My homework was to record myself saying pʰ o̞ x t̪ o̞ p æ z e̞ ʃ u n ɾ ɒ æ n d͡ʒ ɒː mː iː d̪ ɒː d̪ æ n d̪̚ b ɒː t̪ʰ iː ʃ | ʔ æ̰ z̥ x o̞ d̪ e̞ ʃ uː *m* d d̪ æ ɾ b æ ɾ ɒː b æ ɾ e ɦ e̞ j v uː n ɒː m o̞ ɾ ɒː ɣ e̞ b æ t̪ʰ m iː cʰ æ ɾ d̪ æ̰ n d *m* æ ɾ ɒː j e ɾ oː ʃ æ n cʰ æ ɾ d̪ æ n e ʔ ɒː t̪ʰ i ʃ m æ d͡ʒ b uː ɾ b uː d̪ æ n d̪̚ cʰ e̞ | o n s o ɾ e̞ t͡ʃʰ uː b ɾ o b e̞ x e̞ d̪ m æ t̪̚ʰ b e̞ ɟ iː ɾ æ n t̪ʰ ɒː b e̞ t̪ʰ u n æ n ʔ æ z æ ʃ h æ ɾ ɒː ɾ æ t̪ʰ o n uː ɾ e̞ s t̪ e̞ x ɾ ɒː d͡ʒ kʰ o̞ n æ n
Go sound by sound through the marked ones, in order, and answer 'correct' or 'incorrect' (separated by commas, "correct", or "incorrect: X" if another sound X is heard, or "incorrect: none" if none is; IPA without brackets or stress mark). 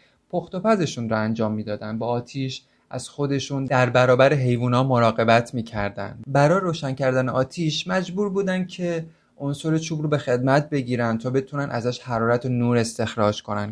incorrect: n, incorrect: b